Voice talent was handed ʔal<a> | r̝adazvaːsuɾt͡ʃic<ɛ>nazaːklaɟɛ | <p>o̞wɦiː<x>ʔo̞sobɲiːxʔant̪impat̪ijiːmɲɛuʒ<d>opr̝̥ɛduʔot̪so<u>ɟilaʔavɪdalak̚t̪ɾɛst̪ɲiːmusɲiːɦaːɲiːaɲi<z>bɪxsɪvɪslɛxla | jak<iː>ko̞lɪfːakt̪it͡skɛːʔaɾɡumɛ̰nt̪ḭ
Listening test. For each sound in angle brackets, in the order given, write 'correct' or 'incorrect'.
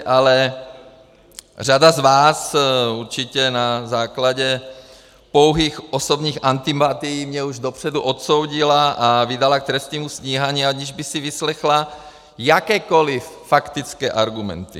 incorrect: ɛ, correct, correct, correct, correct, incorrect: w, incorrect: ʒ, incorrect: ɛː

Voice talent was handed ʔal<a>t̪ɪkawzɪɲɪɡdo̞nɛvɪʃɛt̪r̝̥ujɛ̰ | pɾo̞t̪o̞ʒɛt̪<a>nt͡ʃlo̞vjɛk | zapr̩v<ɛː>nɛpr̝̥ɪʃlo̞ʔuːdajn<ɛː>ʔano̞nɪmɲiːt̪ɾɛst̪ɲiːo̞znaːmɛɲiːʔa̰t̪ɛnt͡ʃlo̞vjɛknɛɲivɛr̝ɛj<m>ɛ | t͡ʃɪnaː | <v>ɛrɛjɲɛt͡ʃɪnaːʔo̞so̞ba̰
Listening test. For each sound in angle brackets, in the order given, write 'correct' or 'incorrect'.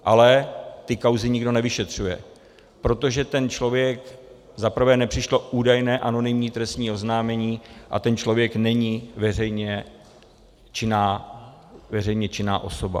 incorrect: ɛ, incorrect: ɛ, correct, correct, incorrect: ɲ, correct

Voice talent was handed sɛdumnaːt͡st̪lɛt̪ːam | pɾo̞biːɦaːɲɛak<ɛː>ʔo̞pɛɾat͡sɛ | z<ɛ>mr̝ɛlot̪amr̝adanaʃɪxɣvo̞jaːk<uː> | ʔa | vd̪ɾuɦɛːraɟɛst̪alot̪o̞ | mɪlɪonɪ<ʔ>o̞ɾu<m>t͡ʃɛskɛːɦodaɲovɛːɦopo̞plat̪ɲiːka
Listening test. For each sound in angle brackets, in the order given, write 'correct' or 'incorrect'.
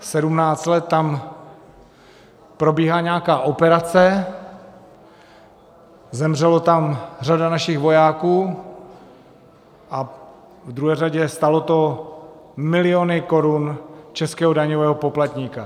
incorrect: aː, correct, correct, incorrect: k, incorrect: n

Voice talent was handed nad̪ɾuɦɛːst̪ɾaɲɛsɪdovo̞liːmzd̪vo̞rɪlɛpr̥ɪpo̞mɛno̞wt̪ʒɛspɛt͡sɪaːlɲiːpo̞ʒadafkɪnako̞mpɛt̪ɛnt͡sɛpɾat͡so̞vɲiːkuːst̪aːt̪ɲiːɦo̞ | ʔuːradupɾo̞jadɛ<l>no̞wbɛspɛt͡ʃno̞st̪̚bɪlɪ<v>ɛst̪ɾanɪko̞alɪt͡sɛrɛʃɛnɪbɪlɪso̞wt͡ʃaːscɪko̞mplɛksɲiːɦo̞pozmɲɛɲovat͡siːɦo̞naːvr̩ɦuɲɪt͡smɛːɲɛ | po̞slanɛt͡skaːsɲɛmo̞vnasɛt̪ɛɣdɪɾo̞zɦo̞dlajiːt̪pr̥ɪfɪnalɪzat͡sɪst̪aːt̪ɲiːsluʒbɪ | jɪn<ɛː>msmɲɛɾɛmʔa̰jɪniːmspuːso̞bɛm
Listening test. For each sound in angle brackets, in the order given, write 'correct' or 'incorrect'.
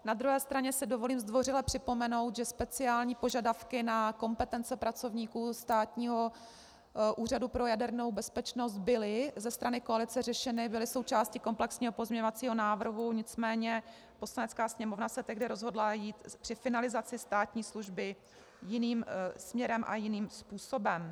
incorrect: ɾ, incorrect: z, incorrect: iː

